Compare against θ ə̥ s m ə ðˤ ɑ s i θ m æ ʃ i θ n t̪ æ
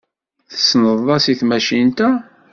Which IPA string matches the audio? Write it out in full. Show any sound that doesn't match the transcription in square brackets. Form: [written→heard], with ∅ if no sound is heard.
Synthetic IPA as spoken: θ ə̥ s [m→n] ə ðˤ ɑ s i θ m æ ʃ i [θ→∅] n t̪ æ